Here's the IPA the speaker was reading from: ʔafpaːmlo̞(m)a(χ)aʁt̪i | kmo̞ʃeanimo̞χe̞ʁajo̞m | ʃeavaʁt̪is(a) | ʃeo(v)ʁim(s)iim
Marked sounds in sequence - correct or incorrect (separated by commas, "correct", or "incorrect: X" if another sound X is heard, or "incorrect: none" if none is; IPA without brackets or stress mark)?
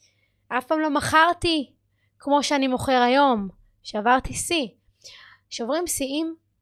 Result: correct, correct, incorrect: i, correct, correct